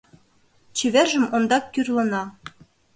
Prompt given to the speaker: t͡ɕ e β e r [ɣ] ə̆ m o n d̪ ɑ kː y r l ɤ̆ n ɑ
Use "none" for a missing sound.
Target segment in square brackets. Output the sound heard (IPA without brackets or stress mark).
ʒ